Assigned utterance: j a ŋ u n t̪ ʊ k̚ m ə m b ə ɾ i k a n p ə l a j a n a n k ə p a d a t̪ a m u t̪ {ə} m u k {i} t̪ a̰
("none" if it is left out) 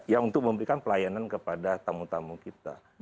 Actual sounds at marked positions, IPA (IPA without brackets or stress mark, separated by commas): a, i